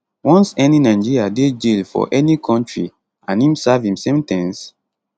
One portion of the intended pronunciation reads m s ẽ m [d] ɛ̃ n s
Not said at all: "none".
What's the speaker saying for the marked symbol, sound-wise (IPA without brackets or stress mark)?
t